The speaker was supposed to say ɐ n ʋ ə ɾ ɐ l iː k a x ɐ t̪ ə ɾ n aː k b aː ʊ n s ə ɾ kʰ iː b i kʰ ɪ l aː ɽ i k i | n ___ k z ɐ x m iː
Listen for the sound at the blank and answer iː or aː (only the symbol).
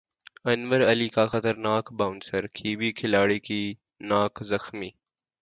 aː